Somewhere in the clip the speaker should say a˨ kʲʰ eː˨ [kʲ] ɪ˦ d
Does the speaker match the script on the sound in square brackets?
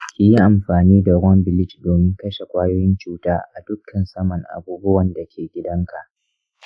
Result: no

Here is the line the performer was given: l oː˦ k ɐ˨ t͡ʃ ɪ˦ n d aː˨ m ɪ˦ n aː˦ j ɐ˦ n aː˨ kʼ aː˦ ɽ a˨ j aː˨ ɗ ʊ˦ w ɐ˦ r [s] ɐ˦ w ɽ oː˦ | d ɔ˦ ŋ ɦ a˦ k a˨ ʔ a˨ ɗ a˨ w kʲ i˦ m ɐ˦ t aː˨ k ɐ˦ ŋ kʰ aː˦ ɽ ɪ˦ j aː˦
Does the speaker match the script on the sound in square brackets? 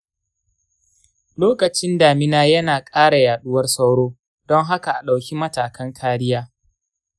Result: yes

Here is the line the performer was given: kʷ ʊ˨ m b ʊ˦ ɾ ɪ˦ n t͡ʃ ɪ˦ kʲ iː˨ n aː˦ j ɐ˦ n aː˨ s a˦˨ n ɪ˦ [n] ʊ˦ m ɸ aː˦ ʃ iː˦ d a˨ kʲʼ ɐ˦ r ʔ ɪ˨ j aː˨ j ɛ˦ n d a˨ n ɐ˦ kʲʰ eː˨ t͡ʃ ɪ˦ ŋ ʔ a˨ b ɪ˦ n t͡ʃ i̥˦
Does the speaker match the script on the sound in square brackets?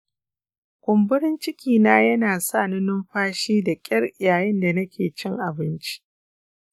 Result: yes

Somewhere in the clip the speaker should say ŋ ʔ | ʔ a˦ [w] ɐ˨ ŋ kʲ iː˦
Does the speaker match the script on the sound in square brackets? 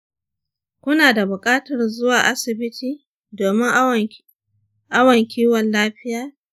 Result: yes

